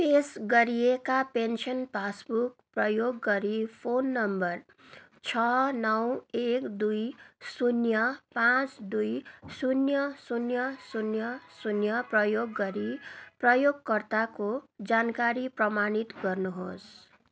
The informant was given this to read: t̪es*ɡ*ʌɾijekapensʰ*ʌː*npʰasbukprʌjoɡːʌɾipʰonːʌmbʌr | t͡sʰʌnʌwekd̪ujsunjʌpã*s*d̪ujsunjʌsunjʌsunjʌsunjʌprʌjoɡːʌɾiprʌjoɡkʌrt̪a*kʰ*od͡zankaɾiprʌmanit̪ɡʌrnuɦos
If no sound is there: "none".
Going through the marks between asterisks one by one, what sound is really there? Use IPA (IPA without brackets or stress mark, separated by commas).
ɡ, ʌ, t͡s, k